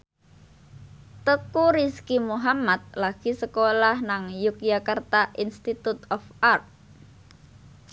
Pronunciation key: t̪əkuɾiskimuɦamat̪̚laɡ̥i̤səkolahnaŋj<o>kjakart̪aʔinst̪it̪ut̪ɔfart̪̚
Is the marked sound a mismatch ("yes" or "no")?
yes